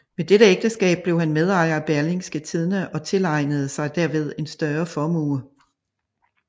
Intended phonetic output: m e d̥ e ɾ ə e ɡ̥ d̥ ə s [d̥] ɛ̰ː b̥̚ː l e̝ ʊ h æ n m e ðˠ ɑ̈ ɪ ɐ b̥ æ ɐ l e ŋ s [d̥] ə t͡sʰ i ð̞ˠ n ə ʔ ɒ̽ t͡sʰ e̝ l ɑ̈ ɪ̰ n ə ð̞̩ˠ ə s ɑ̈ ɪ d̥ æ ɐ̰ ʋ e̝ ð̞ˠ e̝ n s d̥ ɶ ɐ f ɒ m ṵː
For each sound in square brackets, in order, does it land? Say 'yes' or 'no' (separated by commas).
no, no